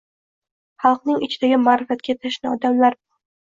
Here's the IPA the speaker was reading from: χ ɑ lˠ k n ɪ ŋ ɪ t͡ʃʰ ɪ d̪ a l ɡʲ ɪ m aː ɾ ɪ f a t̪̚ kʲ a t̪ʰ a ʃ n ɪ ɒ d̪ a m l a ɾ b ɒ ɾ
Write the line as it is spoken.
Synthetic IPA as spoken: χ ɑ lˠ q n ɪ ŋ ɪ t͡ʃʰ ɪ d̪ a ɡʲ ɪ m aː ɾ ɪ f a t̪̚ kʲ a t̪ʰ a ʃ n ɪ ɒ d̪ a m l a ɾ b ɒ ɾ